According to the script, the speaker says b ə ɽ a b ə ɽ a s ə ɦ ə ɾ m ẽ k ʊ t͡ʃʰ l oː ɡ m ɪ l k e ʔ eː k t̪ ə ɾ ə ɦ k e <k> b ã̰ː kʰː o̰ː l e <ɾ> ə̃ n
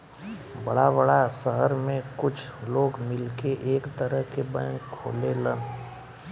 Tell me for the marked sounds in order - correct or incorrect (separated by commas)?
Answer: incorrect, incorrect